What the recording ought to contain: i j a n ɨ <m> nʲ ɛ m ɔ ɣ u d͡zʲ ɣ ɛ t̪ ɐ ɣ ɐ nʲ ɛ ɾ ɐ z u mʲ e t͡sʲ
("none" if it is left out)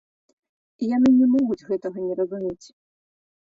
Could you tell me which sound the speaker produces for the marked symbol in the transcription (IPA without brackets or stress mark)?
none